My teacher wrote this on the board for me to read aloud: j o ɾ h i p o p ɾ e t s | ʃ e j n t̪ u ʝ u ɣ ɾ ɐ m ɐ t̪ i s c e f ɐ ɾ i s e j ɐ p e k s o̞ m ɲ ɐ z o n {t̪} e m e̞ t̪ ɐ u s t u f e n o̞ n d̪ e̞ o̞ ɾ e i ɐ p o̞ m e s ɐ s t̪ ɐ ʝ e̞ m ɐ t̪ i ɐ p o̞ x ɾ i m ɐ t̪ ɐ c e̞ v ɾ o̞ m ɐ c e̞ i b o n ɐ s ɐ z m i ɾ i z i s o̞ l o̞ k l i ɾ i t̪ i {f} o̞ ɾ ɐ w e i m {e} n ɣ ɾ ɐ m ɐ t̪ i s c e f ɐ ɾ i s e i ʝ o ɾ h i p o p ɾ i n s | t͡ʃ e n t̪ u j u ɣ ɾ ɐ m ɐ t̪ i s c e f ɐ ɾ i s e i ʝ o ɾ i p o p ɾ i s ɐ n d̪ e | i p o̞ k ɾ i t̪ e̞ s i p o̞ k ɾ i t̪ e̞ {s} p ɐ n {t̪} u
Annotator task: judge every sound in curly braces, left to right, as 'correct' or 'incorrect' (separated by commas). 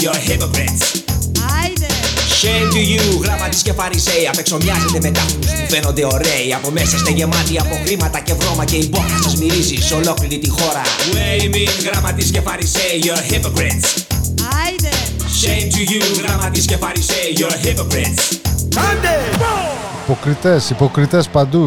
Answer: incorrect, incorrect, incorrect, correct, incorrect